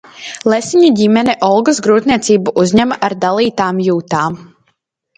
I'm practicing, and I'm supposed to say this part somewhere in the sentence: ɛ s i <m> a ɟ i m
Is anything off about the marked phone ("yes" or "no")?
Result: yes